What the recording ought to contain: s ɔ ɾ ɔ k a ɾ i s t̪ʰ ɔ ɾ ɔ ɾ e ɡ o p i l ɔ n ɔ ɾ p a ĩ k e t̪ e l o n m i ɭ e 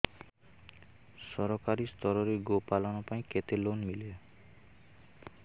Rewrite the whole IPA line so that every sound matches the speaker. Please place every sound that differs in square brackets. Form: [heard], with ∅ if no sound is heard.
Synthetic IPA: s ɔ ɾ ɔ k a ɾ i s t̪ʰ ɔ ɾ ɔ ɾ e ɡ o p [a] l ɔ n ɔ [∅] p a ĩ k e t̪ e l o n m i [l] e